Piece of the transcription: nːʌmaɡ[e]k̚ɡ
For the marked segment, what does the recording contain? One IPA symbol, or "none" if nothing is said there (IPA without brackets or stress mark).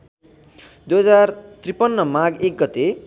e